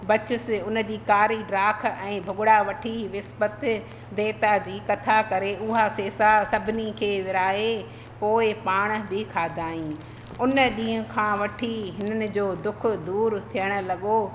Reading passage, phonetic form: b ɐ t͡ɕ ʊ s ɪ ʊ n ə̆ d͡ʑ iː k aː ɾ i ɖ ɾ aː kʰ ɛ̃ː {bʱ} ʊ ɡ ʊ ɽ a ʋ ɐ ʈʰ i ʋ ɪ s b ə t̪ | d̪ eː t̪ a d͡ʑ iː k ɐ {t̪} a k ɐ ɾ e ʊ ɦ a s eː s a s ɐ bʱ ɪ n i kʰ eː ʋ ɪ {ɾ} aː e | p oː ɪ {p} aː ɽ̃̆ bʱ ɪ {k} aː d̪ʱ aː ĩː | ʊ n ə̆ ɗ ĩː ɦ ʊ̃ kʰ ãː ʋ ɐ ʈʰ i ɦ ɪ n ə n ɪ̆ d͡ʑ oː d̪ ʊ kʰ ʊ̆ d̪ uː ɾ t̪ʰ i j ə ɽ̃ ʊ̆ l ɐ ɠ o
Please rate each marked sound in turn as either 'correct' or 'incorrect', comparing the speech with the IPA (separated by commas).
correct, incorrect, correct, correct, incorrect